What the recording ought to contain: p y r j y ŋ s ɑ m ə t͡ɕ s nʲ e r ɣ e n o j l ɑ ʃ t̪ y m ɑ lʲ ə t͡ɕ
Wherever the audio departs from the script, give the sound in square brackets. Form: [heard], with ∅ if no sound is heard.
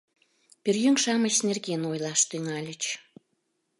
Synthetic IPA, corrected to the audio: p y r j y ŋ [ʃ] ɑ m ə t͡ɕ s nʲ e r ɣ e n o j l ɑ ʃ t̪ y [ŋ] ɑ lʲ ə t͡ɕ